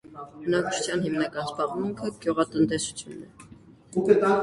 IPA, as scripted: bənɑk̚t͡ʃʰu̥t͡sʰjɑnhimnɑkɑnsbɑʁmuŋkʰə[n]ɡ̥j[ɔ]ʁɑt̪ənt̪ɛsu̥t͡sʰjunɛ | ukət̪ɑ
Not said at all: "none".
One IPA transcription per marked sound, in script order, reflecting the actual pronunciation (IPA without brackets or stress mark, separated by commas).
none, u